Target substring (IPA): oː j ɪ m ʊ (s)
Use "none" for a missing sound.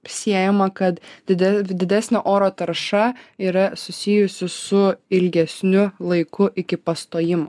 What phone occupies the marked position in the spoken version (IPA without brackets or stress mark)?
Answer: none